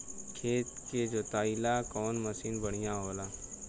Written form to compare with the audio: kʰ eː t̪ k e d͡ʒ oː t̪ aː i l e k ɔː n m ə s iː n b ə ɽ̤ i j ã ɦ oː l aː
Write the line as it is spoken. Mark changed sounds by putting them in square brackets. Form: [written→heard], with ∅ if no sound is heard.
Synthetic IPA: kʰ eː t̪ k e d͡ʒ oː t̪ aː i l [e→a] k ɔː n m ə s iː n b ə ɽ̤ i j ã ɦ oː l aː